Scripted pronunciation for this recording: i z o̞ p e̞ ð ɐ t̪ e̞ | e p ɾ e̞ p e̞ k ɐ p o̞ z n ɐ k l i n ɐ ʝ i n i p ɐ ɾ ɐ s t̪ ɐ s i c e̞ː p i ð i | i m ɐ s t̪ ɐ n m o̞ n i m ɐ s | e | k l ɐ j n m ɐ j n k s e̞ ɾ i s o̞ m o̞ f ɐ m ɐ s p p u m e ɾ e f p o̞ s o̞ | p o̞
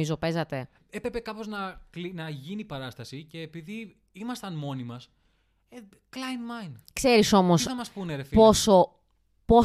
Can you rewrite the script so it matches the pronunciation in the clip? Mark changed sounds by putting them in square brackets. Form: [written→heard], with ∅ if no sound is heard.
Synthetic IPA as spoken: i z o̞ p e̞ [ð→z] ɐ t̪ e̞ | e p ɾ e̞ p e̞ k ɐ p o̞ z n ɐ k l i n ɐ ʝ i n i p ɐ ɾ ɐ s t̪ ɐ s i c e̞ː p i ð i | i m ɐ s t̪ ɐ n m o̞ n i m ɐ s | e | k l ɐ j n m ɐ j n k s e̞ ɾ i s o̞ m o̞ [f→s] ɐ m ɐ s p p u [m→n] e ɾ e f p o̞ s o̞ | p o̞